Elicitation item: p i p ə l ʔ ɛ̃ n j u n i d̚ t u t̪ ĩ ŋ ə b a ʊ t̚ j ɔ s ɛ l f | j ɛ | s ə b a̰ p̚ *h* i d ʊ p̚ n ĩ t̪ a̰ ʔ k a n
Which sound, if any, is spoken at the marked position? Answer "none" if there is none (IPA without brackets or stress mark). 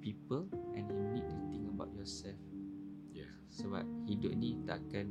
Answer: h